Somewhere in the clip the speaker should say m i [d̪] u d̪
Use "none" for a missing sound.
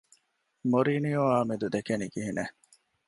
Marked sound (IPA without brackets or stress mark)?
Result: d̪